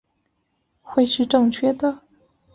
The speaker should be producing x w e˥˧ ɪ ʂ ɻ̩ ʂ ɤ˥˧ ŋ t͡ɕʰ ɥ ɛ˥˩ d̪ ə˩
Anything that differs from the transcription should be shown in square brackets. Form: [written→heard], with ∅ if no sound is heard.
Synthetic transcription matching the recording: x w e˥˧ ɪ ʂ ɻ̩ [ʂ→ʈ͡ʂ] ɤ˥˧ ŋ t͡ɕʰ ɥ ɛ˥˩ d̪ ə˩

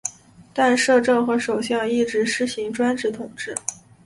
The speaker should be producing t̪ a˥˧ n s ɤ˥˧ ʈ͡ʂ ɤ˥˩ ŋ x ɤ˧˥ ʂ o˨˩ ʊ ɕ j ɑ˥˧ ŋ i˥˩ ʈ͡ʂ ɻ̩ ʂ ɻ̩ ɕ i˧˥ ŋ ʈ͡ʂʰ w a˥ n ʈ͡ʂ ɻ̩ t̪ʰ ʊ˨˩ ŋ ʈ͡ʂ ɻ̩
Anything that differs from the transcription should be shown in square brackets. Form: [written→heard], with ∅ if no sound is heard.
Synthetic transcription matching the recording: t̪ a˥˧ n [s→ʂ] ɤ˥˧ ʈ͡ʂ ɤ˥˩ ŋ x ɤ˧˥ ʂ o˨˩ ʊ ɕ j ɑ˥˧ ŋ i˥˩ ʈ͡ʂ ɻ̩ ʂ ɻ̩ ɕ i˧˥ ŋ [ʈ͡ʂʰ→ʈ͡ʂ] w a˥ n ʈ͡ʂ ɻ̩ t̪ʰ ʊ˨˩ ŋ ʈ͡ʂ ɻ̩

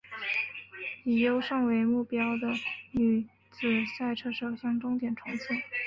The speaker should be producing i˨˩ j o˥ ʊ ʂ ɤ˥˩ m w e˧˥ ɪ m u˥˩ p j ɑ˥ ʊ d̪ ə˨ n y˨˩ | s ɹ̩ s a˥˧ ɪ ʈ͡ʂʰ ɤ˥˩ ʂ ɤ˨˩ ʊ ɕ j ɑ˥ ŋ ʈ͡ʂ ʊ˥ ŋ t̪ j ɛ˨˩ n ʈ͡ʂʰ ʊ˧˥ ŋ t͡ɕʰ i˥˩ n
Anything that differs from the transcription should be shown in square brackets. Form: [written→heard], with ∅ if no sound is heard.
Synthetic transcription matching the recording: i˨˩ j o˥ ʊ ʂ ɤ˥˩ [m→ŋ] w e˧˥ ɪ m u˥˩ p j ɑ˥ ʊ d̪ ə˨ n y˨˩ | [s→t͡s] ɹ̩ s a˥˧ ɪ ʈ͡ʂʰ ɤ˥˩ ʂ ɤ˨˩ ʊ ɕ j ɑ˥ ŋ ʈ͡ʂ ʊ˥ ŋ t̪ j ɛ˨˩ n ʈ͡ʂʰ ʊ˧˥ ŋ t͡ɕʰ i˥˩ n

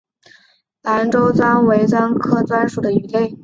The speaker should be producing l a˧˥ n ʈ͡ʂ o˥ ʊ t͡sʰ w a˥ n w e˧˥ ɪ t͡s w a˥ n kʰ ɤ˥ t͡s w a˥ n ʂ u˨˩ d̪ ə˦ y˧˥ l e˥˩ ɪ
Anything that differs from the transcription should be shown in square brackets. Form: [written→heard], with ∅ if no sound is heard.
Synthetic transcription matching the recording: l a˧˥ n ʈ͡ʂ o˥ ʊ [t͡sʰ→t͡s] w a˥ n w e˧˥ ɪ t͡s w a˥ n kʰ ɤ˥ t͡s w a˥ n ʂ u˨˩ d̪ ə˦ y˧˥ l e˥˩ ɪ

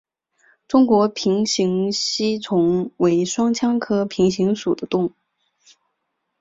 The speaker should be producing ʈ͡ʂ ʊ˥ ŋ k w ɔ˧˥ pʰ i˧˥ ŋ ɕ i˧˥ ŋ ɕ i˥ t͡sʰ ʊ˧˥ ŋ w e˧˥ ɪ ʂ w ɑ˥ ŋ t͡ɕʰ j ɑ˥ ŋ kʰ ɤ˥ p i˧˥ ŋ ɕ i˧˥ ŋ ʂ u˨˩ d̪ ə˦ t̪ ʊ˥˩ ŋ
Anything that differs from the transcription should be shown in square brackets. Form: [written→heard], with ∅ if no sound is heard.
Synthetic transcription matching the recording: ʈ͡ʂ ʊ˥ ŋ k w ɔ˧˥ pʰ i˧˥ ŋ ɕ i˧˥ ŋ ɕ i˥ t͡sʰ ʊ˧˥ ŋ w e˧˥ ɪ ʂ w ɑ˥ ŋ t͡ɕʰ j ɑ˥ ŋ kʰ ɤ˥ [p→pʰ] i˧˥ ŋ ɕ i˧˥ ŋ ʂ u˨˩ d̪ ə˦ t̪ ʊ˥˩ ŋ

